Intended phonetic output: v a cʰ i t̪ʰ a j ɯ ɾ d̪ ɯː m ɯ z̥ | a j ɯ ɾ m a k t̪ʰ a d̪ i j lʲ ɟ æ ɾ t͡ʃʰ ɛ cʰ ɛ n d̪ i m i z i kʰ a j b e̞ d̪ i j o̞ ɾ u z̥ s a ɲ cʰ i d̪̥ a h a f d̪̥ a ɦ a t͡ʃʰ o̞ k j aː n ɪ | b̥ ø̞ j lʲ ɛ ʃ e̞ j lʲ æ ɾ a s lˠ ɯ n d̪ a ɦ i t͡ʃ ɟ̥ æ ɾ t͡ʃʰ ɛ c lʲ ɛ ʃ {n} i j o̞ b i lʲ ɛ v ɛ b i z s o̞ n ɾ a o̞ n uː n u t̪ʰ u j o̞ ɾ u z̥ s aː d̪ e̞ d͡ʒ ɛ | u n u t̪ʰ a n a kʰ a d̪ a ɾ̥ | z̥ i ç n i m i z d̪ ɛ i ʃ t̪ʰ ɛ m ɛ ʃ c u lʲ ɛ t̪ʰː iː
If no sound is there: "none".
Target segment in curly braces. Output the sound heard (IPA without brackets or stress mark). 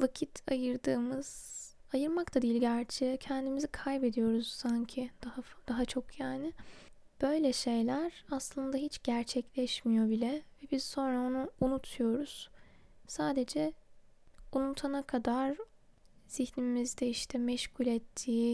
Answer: m